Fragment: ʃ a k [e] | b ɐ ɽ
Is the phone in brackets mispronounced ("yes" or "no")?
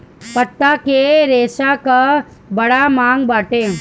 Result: yes